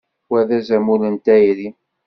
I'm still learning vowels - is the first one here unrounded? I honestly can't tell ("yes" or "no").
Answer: yes